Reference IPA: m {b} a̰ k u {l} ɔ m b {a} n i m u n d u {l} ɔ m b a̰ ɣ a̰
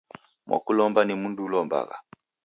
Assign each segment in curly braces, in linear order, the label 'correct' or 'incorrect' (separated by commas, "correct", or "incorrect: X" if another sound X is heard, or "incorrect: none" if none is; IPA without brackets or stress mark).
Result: incorrect: w, correct, correct, correct